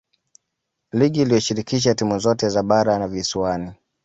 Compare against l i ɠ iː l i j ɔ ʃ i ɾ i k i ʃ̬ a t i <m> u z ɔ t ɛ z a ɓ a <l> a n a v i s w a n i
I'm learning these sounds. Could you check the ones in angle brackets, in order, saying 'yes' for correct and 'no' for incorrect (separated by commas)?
yes, no